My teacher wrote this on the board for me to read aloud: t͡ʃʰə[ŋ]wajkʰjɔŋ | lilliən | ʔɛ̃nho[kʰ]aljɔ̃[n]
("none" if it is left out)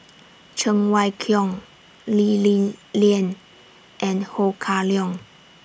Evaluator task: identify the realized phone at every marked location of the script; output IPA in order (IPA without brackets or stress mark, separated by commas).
ŋ, kʰ, ŋ